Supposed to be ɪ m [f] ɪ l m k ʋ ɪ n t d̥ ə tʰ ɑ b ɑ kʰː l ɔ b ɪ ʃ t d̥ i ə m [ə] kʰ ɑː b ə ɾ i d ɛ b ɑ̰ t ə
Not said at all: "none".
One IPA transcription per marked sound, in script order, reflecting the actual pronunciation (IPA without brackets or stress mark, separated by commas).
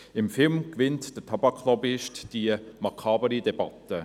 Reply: f, ɑ